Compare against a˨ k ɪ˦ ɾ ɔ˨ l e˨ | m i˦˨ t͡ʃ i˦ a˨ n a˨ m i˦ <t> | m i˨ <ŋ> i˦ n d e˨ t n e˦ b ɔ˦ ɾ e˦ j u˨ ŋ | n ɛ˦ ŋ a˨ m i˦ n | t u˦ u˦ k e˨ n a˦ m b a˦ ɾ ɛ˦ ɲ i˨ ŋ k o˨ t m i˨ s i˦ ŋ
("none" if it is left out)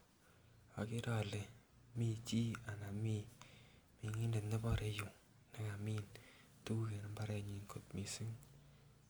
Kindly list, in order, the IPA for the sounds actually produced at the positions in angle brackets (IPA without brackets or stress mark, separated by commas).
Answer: none, ŋ